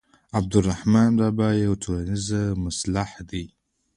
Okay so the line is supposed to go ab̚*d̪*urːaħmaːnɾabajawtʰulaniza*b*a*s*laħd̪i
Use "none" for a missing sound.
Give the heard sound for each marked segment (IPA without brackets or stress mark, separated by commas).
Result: d̪, m, s